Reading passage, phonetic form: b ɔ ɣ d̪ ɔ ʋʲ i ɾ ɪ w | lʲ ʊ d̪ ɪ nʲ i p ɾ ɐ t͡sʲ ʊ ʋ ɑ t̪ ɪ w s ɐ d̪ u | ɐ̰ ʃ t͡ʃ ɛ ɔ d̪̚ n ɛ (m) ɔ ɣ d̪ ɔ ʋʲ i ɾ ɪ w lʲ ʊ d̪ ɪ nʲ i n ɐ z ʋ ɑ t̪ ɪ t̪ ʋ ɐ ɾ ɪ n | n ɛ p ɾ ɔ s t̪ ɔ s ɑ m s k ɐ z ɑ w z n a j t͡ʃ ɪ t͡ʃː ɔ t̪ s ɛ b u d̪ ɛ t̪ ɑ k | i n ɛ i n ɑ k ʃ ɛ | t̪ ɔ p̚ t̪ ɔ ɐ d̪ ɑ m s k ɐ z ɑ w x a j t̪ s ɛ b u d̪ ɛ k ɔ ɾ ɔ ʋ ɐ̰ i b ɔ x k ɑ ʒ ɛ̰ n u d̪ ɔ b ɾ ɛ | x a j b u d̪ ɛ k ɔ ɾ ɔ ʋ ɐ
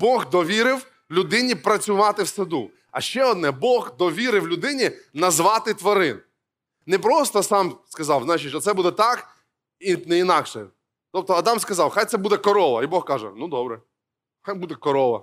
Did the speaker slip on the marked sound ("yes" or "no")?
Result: yes